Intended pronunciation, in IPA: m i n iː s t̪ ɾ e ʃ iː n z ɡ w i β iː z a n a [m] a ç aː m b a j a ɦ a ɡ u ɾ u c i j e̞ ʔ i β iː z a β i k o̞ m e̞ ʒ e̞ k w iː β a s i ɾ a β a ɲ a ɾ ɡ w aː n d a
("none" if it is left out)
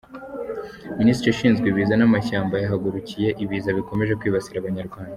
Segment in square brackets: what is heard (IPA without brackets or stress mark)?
m